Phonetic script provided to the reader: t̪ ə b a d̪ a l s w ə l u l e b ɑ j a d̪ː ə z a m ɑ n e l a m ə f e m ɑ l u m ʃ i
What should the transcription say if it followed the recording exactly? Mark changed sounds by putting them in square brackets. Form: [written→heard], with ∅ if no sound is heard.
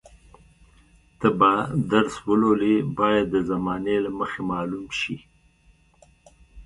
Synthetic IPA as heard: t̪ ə b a d̪ a [l→ɾ] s w ə l [u→o] l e b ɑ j a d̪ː ə z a m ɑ n e l a m ə [f→x] e m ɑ l u m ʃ i